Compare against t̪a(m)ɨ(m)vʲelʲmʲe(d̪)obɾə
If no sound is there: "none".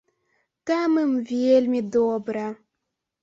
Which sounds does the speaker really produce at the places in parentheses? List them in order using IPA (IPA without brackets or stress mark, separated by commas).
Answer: m, m, d̪